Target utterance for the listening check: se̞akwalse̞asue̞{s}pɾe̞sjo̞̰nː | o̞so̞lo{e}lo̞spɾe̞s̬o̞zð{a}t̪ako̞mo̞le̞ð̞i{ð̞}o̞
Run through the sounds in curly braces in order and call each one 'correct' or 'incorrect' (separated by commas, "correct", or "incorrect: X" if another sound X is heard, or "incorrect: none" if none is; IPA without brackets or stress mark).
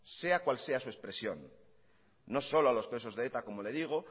correct, incorrect: a, incorrect: e, incorrect: ɣ̞